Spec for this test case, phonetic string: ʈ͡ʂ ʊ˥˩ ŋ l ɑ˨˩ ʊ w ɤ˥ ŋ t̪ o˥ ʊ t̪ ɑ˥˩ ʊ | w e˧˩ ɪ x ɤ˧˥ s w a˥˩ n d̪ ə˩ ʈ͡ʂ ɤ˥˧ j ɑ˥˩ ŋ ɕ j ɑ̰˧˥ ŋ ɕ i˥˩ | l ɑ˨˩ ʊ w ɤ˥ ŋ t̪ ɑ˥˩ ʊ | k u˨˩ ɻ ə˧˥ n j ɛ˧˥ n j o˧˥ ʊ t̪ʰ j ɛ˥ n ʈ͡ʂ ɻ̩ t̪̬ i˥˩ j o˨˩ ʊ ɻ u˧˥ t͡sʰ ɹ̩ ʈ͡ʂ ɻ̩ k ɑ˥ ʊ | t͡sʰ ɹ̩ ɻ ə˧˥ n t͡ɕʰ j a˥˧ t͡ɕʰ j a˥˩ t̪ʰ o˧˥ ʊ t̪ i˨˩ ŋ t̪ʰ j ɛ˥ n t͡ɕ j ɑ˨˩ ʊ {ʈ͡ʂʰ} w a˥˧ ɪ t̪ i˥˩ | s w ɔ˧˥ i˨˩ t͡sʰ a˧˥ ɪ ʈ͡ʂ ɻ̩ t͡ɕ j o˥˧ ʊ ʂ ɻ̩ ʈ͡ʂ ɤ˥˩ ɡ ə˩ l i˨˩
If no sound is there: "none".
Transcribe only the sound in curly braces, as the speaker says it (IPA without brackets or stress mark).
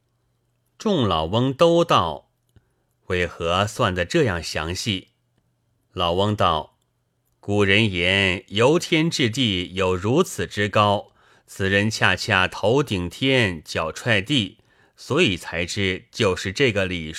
ʈ͡ʂʰ